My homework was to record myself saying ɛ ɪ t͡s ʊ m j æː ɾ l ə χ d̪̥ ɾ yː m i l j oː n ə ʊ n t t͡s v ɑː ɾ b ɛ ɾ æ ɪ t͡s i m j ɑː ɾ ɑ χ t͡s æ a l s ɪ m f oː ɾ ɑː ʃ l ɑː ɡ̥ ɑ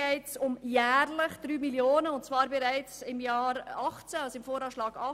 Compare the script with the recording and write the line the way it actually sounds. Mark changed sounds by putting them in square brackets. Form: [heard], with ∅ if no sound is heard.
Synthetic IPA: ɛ ɪ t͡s ʊ m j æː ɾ l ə χ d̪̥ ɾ yː m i l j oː n ə ʊ n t t͡s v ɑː ɾ b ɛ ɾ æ ɪ t͡s [ɪ] m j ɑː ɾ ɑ χ t͡s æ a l s ɪ m f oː ɾ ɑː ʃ l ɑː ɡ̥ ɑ